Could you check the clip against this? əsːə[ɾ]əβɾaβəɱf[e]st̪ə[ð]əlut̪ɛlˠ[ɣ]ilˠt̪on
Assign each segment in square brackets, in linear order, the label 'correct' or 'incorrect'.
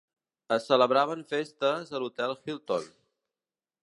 incorrect: l, correct, incorrect: z, incorrect: x

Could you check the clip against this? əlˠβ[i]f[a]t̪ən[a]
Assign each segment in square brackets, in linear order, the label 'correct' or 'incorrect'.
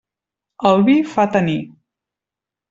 correct, correct, incorrect: i

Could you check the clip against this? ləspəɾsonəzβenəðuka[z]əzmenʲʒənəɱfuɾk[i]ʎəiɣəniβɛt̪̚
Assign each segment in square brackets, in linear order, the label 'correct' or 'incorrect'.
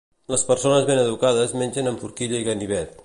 incorrect: ð, correct

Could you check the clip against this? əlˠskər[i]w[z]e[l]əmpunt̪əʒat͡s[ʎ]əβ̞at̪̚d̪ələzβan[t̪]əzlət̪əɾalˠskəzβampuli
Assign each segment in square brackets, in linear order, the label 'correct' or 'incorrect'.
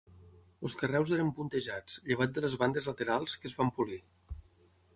incorrect: ɛ, correct, incorrect: ɾ, correct, incorrect: d̪

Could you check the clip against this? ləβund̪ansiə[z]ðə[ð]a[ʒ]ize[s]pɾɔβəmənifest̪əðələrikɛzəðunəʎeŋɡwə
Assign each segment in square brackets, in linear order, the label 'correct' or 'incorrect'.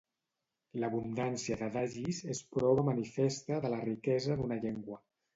incorrect: none, correct, correct, correct

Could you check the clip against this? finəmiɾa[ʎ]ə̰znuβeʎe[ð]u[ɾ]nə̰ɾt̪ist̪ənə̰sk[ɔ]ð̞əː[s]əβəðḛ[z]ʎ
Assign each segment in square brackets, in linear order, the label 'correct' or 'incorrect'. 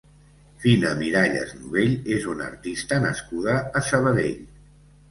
correct, incorrect: z, incorrect: none, incorrect: u, correct, incorrect: none

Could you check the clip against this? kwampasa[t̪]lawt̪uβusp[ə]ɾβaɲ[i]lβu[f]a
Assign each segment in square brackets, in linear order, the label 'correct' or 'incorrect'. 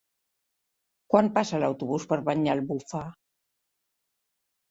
incorrect: none, correct, incorrect: a, correct

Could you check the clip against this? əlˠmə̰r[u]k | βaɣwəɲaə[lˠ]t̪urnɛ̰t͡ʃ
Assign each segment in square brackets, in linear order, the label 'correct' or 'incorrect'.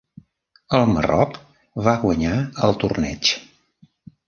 incorrect: ɔ, correct

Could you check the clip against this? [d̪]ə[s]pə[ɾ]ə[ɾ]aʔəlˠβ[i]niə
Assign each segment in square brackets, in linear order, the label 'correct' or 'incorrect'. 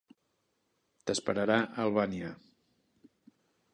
incorrect: t̪, correct, correct, correct, incorrect: a

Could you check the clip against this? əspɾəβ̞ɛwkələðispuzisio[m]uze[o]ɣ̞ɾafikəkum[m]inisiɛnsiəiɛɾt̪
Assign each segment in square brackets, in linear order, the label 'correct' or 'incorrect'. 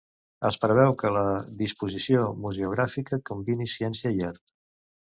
correct, incorrect: u, incorrect: b

